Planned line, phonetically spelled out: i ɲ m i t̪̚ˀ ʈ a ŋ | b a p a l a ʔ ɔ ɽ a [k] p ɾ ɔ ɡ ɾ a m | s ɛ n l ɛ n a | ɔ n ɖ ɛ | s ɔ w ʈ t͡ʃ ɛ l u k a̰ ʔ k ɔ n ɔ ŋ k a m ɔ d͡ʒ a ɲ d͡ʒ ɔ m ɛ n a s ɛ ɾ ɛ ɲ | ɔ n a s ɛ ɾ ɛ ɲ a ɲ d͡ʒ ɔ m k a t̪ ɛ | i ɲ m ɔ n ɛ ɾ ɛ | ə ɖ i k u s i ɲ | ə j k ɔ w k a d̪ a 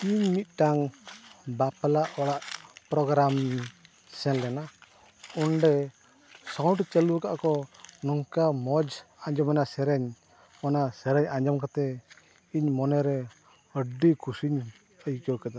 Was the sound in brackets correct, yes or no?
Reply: no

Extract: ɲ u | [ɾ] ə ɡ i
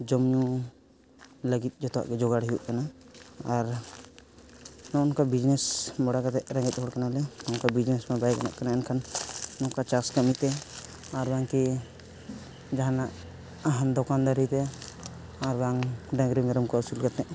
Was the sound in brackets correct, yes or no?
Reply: no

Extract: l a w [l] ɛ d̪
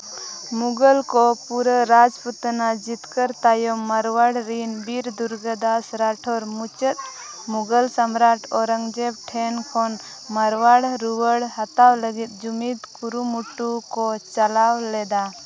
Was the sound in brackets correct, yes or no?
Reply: yes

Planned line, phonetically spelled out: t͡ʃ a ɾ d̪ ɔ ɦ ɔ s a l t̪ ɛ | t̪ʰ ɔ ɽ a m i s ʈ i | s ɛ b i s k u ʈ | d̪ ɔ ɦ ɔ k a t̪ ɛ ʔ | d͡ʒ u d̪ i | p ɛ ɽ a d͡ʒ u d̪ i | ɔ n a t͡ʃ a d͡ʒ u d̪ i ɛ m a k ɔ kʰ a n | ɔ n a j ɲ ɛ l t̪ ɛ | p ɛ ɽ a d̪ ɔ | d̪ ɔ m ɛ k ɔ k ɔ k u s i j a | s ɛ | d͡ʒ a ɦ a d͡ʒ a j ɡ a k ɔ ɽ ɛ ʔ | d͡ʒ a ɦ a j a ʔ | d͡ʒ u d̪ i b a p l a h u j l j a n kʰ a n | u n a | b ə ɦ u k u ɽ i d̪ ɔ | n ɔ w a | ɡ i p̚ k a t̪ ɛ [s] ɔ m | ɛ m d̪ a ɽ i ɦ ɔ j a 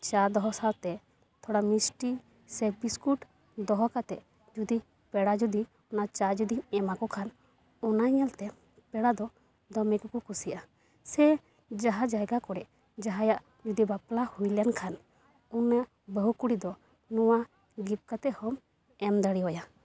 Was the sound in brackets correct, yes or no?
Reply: no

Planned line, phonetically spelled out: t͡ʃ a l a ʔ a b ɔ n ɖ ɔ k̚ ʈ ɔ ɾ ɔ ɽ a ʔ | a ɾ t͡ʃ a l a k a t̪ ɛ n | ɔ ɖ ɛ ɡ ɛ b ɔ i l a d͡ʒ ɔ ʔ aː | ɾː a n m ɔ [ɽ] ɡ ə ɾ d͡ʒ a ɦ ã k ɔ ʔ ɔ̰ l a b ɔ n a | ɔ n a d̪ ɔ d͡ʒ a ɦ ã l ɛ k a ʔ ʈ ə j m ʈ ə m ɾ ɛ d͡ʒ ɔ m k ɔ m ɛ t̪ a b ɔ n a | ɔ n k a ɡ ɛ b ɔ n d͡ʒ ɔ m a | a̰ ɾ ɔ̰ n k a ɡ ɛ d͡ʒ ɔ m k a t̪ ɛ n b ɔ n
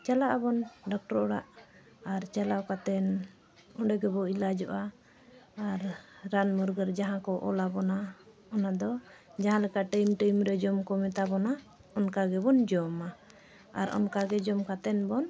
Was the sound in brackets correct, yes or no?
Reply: no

